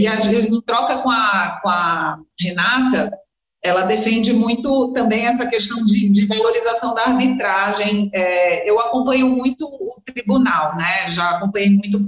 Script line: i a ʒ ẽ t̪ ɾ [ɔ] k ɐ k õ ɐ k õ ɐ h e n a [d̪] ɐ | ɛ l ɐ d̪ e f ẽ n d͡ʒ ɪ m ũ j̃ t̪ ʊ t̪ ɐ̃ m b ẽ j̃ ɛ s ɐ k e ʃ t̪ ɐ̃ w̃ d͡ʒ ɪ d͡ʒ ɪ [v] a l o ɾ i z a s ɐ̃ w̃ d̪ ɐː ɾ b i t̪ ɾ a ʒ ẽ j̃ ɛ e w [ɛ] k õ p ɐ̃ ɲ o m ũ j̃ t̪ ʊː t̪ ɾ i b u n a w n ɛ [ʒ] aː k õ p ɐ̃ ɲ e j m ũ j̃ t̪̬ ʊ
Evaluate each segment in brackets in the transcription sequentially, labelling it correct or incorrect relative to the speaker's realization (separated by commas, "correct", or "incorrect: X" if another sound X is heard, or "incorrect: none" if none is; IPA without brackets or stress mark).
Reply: correct, incorrect: t̪, correct, incorrect: a, correct